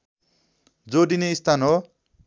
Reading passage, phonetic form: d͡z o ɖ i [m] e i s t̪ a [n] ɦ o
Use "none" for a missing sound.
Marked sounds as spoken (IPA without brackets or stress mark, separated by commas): n, n